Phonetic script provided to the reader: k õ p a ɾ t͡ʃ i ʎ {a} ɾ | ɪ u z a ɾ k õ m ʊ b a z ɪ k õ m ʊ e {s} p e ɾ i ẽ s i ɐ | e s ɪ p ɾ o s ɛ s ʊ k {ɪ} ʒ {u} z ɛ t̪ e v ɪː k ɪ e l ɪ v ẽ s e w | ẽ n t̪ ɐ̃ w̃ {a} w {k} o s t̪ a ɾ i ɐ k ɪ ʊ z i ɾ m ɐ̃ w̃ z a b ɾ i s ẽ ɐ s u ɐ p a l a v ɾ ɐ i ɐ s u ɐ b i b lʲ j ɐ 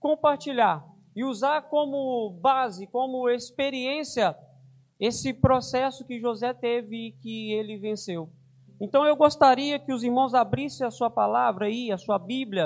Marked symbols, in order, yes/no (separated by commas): yes, yes, yes, no, no, no